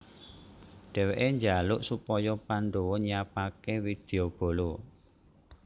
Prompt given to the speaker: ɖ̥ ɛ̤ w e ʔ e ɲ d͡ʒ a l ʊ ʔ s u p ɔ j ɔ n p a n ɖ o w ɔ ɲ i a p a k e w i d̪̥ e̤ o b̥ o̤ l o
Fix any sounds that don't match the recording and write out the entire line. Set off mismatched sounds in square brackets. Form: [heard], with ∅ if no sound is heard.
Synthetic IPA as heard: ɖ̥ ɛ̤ w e ʔ e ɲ d͡ʒ a l ʊ ʔ s u p ɔ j ɔ [∅] p a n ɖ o w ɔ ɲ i a p a k e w i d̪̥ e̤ o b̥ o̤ l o